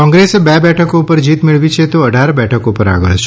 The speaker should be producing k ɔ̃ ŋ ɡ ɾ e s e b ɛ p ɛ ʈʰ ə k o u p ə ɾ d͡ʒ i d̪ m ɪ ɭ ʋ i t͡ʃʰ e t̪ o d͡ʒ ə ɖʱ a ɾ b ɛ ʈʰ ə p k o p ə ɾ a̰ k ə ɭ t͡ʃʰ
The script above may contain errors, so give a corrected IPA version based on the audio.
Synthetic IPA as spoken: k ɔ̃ ŋ ɡ ɾ e s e b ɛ b ɛ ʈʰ ə k o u p ə ɾ d͡ʒ i t̪ m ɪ ɭ ʋ i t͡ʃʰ e t̪ o ə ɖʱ a ɾ b ɛ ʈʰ ə k o p ə ɾ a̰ ɡ ə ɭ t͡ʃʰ